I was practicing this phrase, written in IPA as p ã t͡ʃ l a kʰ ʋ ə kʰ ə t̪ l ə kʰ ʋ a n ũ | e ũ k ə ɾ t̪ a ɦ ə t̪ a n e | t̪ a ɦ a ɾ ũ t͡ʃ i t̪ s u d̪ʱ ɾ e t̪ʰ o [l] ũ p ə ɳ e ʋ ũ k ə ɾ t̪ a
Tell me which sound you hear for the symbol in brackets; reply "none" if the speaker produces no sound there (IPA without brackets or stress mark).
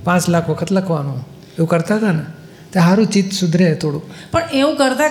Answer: ɽ